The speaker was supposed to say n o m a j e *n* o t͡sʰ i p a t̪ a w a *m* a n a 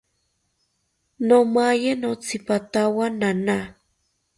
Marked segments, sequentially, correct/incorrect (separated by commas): correct, incorrect